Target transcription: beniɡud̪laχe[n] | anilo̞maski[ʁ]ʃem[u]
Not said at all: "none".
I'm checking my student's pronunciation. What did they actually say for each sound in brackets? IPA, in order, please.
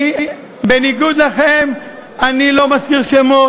m, ʁ, o

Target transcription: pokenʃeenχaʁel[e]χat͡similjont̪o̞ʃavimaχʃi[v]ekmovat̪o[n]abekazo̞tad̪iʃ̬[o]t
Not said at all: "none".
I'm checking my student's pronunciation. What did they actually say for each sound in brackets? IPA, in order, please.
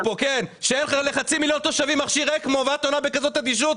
e, ʁ, n, u

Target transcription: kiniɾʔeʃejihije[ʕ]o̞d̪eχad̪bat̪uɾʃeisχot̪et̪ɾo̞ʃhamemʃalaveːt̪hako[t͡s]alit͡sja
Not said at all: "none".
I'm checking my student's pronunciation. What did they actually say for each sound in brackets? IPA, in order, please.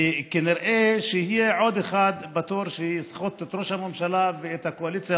ʕ, none

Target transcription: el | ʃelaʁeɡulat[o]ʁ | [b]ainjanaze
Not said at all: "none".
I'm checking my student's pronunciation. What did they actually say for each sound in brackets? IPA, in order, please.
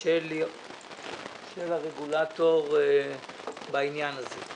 o, b

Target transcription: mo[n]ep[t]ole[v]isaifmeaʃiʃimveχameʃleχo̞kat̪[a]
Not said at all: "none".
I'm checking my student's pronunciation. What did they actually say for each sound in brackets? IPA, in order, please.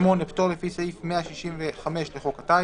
n, t, f, a

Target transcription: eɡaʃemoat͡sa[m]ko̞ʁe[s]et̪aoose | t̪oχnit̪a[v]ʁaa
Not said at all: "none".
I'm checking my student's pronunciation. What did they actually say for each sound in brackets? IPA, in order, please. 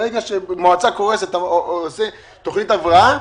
none, s, v

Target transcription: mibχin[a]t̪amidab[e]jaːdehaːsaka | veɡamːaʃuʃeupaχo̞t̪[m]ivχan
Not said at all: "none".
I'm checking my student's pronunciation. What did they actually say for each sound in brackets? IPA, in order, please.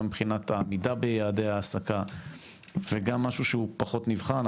a, e, n

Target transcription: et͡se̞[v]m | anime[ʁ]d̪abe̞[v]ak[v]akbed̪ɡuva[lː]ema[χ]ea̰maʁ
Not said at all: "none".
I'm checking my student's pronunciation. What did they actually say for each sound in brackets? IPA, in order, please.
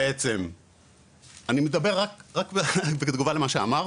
none, none, ʁ, ʁ, l, ʃ

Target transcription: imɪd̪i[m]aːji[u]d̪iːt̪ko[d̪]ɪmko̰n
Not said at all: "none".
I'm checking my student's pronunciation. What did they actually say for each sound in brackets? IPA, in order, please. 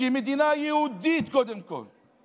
n, w, d̪

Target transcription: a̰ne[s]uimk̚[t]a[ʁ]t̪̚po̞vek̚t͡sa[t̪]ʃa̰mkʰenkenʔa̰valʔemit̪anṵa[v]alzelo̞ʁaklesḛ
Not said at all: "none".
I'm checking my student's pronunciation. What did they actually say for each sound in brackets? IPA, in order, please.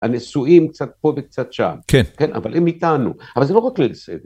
s, t͡s, none, t̪, v

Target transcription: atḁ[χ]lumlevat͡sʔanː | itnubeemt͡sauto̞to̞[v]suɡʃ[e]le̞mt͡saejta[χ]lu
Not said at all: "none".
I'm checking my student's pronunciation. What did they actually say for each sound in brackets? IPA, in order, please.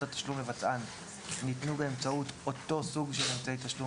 ʃ, none, e, ʃ

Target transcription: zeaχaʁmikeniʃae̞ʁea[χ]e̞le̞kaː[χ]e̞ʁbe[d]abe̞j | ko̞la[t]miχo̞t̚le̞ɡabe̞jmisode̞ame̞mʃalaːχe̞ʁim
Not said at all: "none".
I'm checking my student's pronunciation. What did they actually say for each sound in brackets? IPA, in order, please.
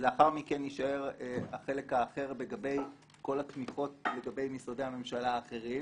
χ, χ, ɡ, t

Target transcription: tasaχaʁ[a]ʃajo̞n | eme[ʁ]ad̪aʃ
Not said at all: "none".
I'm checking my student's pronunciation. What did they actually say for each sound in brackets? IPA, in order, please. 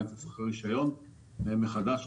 i, χ

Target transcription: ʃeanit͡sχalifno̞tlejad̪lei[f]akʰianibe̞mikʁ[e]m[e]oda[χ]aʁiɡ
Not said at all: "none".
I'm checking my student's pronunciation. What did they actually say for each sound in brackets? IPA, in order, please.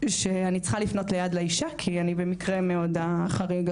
ʃ, e, e, χ

